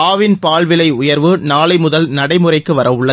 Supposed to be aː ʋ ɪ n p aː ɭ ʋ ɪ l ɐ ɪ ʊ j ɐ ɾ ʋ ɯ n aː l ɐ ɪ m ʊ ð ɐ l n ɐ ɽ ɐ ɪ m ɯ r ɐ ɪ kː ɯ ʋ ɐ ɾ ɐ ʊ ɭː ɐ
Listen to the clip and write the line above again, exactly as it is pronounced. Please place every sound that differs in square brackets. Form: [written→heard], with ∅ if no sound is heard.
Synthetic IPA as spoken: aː ʋ ɪ n p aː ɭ ʋ ɪ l ɐ ɪ ʊ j ɐ ɾ ʋ ɯ n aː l ɐ ɪ m ʊ ð ɐ l n ɐ ɽ ɐ ɪ m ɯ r ɐ ɪ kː ɯ ʋ ɐ ɾ ɐ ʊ ɭː ɐ